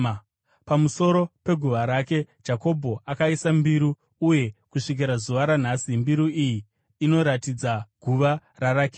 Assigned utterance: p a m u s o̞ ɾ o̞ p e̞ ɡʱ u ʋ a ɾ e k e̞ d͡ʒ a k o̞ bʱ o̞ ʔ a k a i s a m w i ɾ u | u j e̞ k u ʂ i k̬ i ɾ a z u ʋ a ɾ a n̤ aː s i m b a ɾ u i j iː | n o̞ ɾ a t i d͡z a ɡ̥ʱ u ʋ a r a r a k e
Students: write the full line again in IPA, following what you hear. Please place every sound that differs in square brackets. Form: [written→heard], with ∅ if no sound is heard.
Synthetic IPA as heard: p a m u s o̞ ɾ o̞ p e̞ ɡʱ u ʋ a ɾ [e→a] k e̞ d͡ʒ a k o̞ bʱ o̞ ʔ a k a i s a m [w→b] i ɾ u | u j e̞ k u ʂ i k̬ i ɾ a z u ʋ a ɾ a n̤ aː s i m b [a→i] ɾ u i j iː | n o̞ ɾ a t i d͡z a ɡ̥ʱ u ʋ a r a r a k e